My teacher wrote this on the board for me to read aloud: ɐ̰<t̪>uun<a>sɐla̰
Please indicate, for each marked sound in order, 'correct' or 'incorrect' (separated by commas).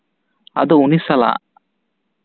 incorrect, incorrect